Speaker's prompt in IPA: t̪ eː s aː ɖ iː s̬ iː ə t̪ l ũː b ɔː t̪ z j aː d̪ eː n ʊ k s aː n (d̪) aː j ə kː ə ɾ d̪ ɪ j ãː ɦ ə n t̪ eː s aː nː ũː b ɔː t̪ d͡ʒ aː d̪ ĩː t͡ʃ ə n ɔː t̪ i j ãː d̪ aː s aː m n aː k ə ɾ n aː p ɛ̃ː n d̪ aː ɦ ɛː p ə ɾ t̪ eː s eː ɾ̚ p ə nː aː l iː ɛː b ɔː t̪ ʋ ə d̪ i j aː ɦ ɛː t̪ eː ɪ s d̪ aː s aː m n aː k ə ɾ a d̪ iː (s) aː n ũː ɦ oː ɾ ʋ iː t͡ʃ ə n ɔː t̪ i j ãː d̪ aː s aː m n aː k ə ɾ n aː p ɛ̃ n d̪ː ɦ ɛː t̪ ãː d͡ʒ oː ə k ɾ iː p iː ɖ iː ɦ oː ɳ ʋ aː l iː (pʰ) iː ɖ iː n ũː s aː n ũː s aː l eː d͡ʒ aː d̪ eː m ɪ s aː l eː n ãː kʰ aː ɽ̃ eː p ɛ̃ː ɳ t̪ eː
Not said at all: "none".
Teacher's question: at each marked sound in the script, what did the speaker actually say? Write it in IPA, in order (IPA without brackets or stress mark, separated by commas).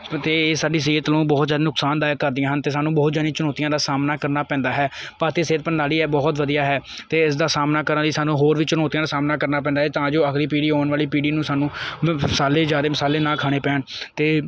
d̪, s, p